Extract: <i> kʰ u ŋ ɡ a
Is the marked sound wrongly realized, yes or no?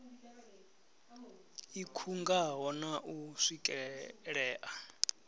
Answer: no